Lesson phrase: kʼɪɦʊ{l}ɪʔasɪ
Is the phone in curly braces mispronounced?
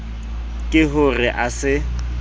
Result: yes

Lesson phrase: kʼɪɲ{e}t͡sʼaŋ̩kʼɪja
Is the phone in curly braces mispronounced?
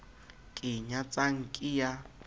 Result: yes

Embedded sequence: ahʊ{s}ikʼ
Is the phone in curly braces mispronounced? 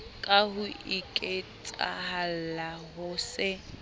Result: yes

